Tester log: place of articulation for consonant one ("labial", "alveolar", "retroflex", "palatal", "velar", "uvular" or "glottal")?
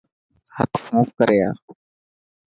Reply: glottal